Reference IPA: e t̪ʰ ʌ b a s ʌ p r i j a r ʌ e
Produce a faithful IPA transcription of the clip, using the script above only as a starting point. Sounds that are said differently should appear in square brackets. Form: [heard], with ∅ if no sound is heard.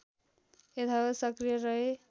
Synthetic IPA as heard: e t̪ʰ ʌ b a s ʌ [k] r i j [ʌ] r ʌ e

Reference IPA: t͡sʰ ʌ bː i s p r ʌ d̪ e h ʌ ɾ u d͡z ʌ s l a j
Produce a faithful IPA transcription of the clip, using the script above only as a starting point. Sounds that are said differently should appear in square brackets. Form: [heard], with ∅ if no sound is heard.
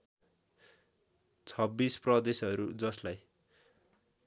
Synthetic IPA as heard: t͡sʰ ʌ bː i s p r ʌ d̪ e [s] ʌ ɾ u d͡z ʌ s l a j

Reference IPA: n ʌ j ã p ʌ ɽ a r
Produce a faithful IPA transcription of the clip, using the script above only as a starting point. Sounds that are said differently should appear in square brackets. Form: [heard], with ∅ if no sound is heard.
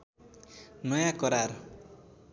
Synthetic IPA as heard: n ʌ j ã [k] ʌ [ɾ] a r

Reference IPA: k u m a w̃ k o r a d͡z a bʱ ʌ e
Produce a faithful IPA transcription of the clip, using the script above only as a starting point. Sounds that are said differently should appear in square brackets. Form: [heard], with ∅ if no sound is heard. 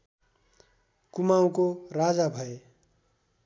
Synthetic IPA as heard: k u m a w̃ k o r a d͡z a bʱ ʌ e

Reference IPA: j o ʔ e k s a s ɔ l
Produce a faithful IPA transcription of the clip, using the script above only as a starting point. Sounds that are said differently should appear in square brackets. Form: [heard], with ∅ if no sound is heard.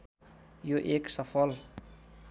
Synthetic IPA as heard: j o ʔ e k s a [f] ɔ l

